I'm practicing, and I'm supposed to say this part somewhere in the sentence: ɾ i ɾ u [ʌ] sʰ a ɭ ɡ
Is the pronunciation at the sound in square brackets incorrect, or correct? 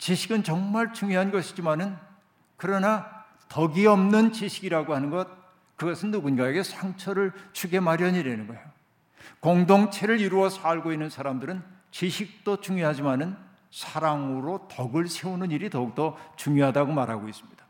correct